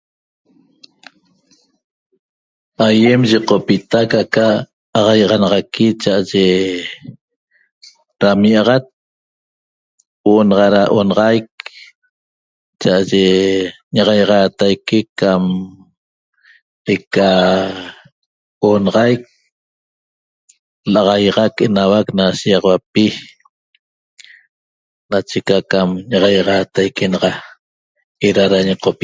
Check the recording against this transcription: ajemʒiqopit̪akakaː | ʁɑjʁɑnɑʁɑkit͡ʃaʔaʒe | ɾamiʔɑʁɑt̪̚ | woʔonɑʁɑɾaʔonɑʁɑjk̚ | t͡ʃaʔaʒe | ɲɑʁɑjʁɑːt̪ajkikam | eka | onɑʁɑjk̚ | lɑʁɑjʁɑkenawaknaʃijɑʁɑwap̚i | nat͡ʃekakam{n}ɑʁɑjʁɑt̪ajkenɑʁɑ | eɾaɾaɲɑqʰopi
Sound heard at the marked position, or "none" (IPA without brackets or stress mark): ɲ